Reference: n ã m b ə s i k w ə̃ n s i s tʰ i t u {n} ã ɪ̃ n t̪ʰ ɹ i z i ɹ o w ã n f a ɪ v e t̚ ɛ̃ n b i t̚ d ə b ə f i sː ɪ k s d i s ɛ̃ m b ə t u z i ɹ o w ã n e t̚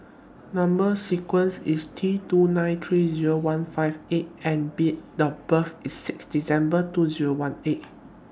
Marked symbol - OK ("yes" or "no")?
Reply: yes